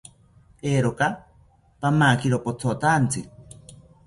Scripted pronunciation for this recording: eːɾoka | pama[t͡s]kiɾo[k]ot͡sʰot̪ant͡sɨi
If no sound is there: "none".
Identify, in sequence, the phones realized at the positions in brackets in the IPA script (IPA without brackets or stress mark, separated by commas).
none, p